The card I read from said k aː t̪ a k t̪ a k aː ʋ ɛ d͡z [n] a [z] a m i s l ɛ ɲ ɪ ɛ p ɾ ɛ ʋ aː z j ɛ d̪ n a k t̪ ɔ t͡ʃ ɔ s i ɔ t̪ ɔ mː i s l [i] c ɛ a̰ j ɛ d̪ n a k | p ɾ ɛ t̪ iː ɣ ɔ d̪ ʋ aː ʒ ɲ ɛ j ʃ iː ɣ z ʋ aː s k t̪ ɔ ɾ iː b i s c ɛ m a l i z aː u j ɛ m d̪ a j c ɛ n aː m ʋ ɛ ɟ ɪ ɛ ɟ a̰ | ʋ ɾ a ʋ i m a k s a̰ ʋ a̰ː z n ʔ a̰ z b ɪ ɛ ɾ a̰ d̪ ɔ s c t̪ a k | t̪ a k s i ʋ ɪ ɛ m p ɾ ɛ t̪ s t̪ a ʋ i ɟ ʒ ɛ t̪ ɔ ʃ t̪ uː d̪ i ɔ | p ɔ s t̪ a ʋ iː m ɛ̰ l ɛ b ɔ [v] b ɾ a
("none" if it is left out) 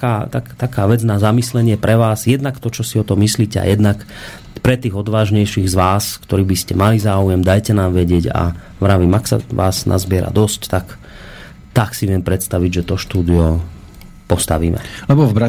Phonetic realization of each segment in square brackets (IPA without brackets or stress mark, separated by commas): n, z, iː, v